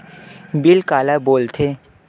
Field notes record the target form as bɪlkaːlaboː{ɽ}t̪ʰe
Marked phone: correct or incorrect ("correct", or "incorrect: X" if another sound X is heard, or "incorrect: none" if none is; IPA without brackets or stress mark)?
incorrect: l